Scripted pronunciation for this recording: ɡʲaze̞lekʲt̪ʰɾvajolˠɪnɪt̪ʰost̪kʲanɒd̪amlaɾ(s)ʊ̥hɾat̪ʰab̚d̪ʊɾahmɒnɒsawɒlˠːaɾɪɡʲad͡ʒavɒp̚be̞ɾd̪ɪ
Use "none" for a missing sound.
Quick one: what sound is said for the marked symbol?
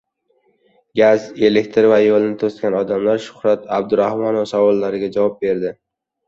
ʃ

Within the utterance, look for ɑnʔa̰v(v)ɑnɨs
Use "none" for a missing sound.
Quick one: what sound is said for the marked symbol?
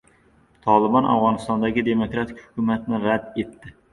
ʁ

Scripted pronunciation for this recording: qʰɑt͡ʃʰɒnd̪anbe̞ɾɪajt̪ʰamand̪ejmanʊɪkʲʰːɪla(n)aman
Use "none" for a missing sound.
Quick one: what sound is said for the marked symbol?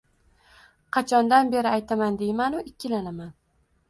n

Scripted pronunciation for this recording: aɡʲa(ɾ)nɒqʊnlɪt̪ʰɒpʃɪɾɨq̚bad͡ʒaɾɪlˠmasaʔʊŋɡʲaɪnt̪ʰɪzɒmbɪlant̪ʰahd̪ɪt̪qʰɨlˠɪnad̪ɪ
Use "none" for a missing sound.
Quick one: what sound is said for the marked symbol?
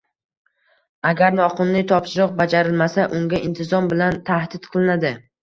ɾ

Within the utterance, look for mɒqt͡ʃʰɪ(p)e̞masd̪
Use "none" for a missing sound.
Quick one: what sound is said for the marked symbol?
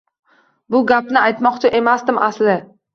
ʔ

